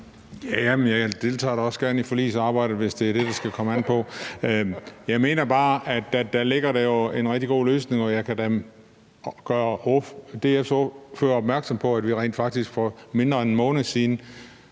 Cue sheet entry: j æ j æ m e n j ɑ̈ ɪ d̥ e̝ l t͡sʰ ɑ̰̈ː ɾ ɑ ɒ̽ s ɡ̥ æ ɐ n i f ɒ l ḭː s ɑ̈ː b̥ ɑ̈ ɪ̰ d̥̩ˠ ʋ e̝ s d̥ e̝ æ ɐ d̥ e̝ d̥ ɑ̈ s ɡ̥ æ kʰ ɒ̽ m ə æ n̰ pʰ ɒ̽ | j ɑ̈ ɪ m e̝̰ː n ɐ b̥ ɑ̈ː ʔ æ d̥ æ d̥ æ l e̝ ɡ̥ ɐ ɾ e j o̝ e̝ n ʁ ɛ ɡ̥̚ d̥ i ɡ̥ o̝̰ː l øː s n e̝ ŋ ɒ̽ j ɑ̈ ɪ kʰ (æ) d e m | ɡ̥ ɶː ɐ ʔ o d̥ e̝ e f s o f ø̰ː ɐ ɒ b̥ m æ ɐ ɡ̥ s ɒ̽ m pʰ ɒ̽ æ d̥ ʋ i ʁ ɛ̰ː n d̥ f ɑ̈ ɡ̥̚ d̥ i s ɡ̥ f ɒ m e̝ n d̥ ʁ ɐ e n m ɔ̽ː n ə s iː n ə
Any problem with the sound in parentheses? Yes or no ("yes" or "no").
no